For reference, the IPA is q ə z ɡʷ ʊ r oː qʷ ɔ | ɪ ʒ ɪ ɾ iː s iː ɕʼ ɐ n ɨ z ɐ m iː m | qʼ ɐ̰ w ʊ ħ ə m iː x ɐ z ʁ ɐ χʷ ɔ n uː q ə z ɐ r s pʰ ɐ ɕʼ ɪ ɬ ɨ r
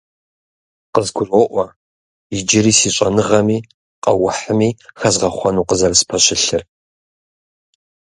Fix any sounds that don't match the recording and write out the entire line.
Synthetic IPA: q ə z ɡʷ ʊ r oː ʔʷ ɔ | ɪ d͡ʒ ɪ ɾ iː s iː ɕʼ ɐ n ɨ ʁ ɐ m iː | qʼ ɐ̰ w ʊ ħ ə m iː x ɐ z ʁ ɐ χʷ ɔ n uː q ə z ɐ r s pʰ ɐ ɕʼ ɪ ɬ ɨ r